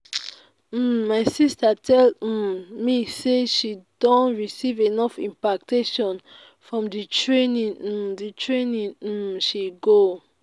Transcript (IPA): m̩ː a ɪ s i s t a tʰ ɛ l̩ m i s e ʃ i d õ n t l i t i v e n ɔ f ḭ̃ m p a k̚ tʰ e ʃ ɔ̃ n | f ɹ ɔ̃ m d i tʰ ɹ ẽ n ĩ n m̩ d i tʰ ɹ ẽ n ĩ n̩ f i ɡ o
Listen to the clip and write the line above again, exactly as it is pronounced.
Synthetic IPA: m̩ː a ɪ s i s t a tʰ ɛ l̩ m i s e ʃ i d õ n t ɹ i s i v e n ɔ f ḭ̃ m p a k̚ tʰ e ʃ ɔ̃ n | f ɹ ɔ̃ m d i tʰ ɹ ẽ n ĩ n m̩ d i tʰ ɹ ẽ n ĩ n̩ ʃ i ɡ o